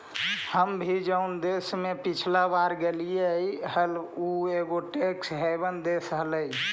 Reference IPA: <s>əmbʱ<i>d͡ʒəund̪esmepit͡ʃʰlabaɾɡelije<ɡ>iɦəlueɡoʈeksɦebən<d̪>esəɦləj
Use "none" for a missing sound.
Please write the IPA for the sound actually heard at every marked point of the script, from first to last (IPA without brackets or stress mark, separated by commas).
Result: h, i, none, d̪